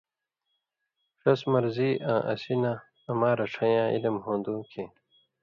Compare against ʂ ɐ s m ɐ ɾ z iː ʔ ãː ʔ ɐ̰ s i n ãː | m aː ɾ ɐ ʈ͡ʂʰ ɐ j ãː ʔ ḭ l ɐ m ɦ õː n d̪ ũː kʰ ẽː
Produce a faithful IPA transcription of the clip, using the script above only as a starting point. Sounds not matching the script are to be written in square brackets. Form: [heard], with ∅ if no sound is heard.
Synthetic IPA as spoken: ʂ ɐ s m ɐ ɾ z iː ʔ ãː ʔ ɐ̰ s i n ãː | m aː ɾ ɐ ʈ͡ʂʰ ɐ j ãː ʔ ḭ l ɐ m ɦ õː n d̪ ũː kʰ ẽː